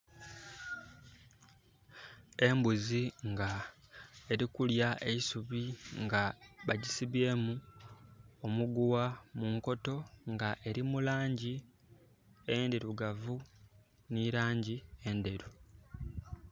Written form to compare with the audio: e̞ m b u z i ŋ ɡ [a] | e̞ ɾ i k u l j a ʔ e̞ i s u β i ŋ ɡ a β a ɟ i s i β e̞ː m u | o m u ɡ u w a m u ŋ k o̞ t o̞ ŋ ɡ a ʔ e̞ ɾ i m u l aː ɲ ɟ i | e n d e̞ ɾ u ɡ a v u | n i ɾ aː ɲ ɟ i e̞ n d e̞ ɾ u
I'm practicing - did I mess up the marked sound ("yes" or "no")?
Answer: no